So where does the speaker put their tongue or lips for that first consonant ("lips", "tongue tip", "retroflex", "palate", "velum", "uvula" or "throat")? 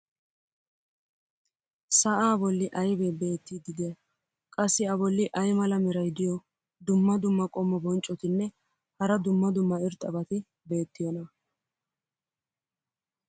tongue tip